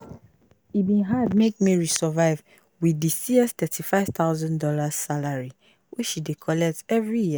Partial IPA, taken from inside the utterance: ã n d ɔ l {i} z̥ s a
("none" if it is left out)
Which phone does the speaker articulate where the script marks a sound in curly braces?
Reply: a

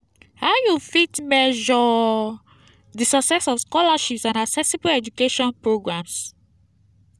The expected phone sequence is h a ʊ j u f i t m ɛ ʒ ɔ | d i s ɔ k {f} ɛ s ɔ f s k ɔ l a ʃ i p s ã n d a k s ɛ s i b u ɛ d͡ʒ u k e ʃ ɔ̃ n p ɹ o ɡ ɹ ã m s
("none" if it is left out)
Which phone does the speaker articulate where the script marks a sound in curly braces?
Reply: s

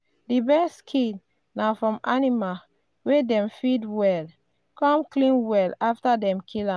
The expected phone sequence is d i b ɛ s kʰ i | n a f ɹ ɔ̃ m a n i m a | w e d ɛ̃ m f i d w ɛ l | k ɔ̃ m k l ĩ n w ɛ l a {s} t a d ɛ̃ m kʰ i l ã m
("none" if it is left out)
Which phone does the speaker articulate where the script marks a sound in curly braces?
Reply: f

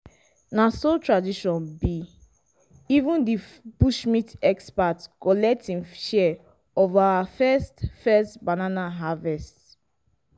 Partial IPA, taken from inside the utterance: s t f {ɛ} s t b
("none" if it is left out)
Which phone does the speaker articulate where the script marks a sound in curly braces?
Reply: ɛ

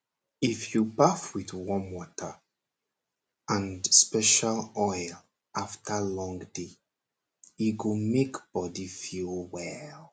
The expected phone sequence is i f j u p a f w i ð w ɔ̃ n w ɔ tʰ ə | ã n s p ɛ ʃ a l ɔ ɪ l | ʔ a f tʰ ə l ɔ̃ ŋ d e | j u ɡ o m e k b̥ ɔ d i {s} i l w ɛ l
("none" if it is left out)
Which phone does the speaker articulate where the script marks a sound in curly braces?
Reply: f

